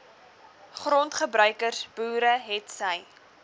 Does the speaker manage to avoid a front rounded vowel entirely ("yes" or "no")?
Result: no